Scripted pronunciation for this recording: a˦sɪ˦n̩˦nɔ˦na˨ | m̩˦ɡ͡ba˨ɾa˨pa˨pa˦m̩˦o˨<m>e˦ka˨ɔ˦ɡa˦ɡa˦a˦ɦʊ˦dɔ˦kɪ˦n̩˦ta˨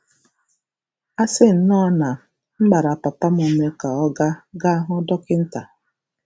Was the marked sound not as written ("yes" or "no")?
no